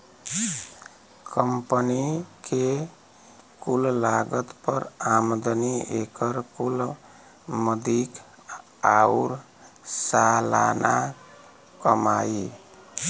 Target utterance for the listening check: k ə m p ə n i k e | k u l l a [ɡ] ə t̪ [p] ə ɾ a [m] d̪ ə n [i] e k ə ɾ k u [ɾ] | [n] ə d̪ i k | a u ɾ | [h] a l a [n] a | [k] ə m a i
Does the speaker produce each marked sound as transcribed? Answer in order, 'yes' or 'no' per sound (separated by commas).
yes, yes, yes, yes, no, no, no, yes, yes